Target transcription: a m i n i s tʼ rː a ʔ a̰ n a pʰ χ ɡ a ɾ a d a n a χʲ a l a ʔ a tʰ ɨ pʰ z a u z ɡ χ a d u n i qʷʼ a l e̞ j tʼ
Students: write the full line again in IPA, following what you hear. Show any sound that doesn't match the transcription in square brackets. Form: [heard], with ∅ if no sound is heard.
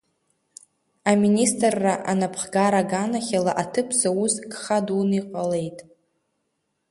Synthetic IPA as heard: a m i n i s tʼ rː a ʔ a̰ n a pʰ χ ɡ a ɾ a [ɡ] a n a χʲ a l a ʔ a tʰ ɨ pʰ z a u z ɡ χ a d u n i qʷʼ a l e̞ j tʼ